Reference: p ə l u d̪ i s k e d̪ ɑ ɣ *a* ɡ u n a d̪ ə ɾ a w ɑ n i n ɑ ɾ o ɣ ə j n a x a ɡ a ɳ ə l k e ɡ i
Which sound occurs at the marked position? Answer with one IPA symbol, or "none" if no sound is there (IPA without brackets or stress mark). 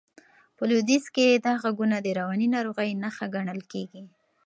a